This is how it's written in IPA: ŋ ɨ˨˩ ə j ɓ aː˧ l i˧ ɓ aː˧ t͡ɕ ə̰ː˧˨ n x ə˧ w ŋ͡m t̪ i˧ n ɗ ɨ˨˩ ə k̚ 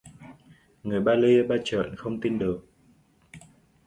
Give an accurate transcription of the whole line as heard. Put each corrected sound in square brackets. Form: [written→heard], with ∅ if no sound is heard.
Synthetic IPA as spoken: ŋ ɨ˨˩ ə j ɓ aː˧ l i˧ ɓ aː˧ t͡ɕ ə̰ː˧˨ n x ə˧ w ŋ͡m t̪ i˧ n ɗ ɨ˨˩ ə k̚